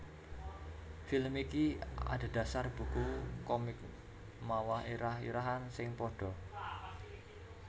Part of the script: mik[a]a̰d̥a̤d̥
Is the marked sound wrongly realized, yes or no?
yes